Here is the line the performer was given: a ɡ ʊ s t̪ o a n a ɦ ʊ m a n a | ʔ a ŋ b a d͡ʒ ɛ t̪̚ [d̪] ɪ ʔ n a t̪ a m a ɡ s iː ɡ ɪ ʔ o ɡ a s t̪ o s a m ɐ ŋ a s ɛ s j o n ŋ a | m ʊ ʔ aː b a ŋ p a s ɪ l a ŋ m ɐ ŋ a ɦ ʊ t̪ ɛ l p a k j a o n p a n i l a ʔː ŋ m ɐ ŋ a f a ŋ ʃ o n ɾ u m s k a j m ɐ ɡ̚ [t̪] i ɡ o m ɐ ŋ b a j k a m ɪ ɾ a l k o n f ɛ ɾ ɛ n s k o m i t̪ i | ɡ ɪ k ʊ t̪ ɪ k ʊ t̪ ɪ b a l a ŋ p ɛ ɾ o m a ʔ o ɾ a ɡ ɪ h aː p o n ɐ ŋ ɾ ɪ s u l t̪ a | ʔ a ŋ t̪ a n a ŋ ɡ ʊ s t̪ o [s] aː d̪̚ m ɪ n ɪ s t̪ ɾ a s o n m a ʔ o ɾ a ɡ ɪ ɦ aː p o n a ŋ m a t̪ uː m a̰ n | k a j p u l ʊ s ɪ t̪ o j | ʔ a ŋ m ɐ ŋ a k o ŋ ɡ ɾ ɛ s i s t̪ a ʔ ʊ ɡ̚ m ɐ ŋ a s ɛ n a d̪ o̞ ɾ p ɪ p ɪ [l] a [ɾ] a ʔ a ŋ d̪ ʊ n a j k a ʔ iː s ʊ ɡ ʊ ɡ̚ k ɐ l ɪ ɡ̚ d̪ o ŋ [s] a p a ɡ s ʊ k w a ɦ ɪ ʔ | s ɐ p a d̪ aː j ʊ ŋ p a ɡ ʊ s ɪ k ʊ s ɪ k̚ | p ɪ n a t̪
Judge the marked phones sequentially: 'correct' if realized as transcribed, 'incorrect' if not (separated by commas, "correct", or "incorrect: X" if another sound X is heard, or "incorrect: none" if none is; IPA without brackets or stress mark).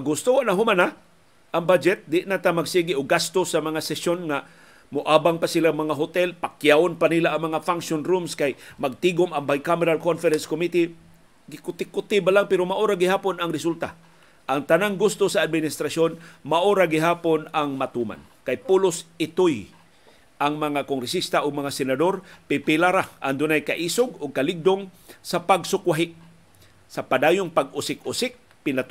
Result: correct, correct, correct, correct, correct, correct